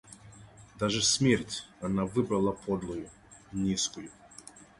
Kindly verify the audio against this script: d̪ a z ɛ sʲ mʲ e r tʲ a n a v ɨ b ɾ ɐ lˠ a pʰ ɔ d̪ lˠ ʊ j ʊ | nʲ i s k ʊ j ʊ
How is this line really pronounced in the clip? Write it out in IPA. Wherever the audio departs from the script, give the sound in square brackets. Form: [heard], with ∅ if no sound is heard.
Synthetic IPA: d̪ a [ʐ] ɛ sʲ mʲ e r tʲ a n a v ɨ b ɾ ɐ lˠ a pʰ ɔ d̪ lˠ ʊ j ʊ | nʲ i s k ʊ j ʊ